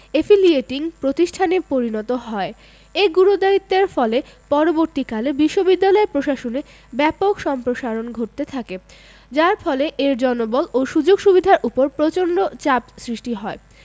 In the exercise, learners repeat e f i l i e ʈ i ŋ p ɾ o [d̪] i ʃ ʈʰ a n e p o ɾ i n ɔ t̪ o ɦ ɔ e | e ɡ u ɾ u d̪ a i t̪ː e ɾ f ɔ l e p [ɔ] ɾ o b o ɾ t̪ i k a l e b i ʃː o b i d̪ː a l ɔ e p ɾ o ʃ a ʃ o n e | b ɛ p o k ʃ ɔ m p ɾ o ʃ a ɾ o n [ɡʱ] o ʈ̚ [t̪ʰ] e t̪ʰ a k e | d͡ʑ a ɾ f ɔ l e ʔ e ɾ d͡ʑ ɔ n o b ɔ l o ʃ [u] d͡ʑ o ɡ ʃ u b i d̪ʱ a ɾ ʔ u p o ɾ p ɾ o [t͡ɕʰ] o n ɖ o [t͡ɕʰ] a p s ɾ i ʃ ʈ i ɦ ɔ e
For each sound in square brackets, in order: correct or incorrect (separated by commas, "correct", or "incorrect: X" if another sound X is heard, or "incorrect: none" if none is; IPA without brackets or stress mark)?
incorrect: t̪, correct, correct, incorrect: t̪, correct, incorrect: t͡ɕ, incorrect: t͡ɕ